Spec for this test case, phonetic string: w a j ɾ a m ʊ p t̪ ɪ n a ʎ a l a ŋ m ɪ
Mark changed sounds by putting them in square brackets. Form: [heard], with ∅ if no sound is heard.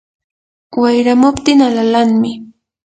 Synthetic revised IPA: w a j ɾ a m ʊ p t̪ ɪ [ŋ] a [l] a l a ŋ m ɪ